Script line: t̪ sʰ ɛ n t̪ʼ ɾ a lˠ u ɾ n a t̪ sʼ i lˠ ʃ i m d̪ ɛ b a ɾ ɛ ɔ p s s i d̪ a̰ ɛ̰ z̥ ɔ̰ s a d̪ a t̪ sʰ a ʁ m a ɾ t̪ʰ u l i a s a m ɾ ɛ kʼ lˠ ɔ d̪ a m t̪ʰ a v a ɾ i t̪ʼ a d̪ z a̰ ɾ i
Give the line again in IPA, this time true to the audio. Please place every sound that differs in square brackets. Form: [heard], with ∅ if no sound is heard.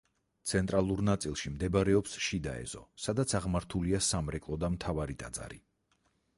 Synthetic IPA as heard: t̪ sʰ ɛ n t̪ʼ ɾ a lˠ u ɾ n a t̪ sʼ i lˠ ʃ i m d̪ ɛ b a ɾ ɛ ɔ p s [ʃ] i d̪ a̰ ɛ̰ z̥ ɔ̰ s a d̪ a t̪ sʰ a ʁ m a ɾ t̪ʰ u l i a s a m ɾ ɛ kʼ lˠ ɔ d̪ a m t̪ʰ a v a ɾ i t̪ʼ a d̪ z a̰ ɾ i

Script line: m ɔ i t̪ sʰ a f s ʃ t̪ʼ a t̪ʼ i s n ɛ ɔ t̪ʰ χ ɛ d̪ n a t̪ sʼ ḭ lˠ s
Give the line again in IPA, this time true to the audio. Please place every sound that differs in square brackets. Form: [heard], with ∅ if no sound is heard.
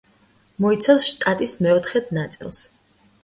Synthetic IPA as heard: m ɔ i t̪ sʰ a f s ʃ t̪ʼ a t̪ʼ i s [m] ɛ ɔ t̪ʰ χ ɛ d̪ n a t̪ sʼ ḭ lˠ s

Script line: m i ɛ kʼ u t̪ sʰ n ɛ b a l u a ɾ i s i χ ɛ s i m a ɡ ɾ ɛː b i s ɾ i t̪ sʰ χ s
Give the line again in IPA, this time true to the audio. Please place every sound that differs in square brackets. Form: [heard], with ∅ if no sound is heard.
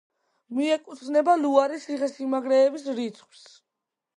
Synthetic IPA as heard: m i ɛ kʼ u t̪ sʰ n ɛ b a l u a ɾ i s i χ ɛ s i m a ɡ ɾ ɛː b i s ɾ i t̪ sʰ χ s

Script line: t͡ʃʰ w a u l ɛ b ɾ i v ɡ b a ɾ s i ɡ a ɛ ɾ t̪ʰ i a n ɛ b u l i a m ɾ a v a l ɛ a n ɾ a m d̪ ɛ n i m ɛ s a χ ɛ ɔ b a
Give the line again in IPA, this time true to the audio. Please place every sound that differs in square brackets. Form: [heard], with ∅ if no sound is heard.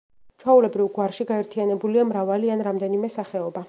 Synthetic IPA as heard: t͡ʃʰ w a u l ɛ b ɾ i v ɡ [w] a ɾ [ʃ] i ɡ a ɛ ɾ t̪ʰ i a n ɛ b u l i a m ɾ a v a l [i] a n ɾ a m d̪ ɛ n i m ɛ s a χ ɛ ɔ b a

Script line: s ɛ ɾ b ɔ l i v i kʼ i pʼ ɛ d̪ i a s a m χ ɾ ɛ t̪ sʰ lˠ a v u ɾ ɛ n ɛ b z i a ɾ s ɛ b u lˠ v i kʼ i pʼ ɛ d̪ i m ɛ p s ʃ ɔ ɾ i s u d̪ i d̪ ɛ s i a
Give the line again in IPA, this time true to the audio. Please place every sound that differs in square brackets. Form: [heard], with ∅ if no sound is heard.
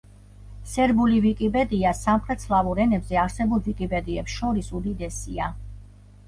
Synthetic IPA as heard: s ɛ ɾ b [u] l i v i kʼ i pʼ ɛ d̪ i a s a m χ ɾ ɛ t̪ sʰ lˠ a v u ɾ ɛ n ɛ b z [ɛ] a ɾ s ɛ b u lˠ v i kʼ i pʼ ɛ d̪ i [∅] ɛ p s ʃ ɔ ɾ i s u d̪ i d̪ ɛ s i a

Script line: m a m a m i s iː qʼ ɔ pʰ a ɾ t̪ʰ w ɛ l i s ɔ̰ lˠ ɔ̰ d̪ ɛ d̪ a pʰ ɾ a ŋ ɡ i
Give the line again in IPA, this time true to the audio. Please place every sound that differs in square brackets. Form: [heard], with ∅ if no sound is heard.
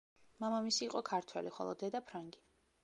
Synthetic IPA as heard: m a m a m i s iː qʼ ɔ [kʰ] a ɾ t̪ʰ w ɛ l i [χ] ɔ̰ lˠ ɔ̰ d̪ ɛ d̪ a pʰ ɾ a ŋ ɡ i

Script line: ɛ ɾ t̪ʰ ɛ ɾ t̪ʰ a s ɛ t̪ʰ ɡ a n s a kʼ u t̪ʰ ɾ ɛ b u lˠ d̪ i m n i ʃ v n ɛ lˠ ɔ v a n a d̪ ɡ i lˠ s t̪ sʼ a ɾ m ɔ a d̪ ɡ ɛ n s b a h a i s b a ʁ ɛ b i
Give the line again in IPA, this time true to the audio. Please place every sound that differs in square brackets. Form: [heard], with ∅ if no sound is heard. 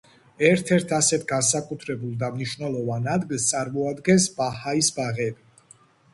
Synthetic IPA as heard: ɛ ɾ t̪ʰ ɛ ɾ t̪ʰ a s ɛ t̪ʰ ɡ a n s a kʼ u t̪ʰ ɾ ɛ b u lˠ d̪ [a] m n i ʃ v n ɛ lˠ ɔ v a n a d̪ ɡ i lˠ s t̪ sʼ a ɾ m ɔ a d̪ ɡ ɛ n s b a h a i s b a ʁ ɛ b i

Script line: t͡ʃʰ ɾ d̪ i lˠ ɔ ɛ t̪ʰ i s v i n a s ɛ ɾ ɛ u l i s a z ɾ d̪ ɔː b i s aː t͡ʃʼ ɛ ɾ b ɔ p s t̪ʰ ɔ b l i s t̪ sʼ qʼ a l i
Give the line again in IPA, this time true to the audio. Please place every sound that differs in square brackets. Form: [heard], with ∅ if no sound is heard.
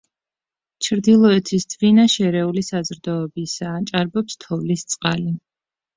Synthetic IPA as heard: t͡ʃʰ ɾ d̪ i lˠ ɔ ɛ t̪ʰ i s v i n a [ʃ] ɛ ɾ ɛ u l i s a z ɾ d̪ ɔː b i s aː t͡ʃʼ [a] ɾ b ɔ p s t̪ʰ ɔ [v] l i s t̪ sʼ qʼ a l i

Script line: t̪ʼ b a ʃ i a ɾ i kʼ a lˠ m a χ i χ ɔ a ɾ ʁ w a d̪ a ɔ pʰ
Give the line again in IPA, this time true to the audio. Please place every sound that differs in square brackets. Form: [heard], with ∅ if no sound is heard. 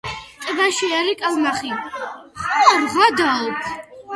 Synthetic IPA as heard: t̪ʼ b a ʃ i a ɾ i kʼ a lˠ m a χ i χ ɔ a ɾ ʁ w a d̪ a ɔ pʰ

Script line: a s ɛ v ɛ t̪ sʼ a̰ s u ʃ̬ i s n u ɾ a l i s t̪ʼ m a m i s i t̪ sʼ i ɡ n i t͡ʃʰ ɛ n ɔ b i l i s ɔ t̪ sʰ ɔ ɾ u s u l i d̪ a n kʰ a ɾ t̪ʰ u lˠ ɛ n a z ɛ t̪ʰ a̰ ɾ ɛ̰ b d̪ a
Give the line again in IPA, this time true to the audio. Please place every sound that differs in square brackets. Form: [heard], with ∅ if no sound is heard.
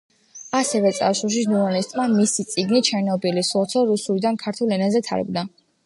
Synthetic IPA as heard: a s ɛ v ɛ t̪ sʼ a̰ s u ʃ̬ i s n u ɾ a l i s t̪ʼ m a m i s i t̪ sʼ i ɡ n i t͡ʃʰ ɛ n ɔ b i l i s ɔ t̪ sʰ ɔ ɾ u s u l i d̪ a n kʰ a ɾ t̪ʰ u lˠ ɛ n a z ɛ t̪ʰ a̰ ɾ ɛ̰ b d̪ a

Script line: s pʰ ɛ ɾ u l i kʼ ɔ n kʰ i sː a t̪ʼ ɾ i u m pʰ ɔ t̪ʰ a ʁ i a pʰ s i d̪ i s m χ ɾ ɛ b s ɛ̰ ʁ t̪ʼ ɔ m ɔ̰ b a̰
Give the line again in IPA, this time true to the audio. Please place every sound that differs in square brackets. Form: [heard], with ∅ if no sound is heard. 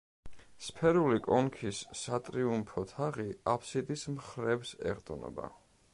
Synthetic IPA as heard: s pʰ ɛ ɾ u l i kʼ ɔ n kʰ i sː a t̪ʼ ɾ i u m pʰ ɔ t̪ʰ a ʁ i a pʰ s i d̪ i s m χ ɾ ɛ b s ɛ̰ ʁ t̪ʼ ɔ [n] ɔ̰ b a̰

